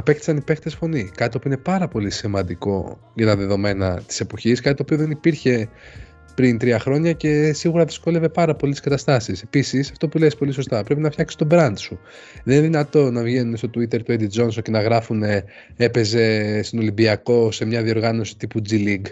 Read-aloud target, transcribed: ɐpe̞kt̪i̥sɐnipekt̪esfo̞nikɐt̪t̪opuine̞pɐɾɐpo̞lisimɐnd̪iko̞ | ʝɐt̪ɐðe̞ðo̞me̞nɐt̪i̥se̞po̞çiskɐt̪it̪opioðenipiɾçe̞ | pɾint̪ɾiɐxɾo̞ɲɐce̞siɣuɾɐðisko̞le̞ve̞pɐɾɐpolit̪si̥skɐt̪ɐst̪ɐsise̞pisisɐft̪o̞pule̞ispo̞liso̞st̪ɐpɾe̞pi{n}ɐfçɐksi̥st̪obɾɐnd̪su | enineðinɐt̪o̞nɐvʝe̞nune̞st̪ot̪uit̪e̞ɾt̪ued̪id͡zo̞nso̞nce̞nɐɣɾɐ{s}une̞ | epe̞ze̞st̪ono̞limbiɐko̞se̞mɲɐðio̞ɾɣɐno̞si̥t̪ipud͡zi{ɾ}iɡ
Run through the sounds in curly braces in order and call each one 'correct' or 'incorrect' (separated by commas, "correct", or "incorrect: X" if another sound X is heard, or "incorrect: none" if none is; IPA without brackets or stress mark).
correct, incorrect: f, incorrect: l